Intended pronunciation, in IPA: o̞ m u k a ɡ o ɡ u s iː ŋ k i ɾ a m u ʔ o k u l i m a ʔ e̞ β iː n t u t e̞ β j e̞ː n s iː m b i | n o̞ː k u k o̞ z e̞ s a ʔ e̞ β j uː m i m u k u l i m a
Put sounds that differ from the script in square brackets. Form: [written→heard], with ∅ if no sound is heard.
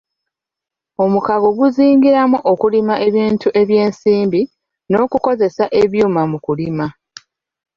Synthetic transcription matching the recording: o̞ m u k a ɡ o ɡ u [s→z] iː ŋ [k→ɡ] i ɾ a m u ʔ o k u l i m a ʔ e̞ β iː n t u [t→ʔ] e̞ β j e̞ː n s iː m b i | n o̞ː k u k o̞ z e̞ s a ʔ e̞ β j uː m [i→a] m u k u l i m a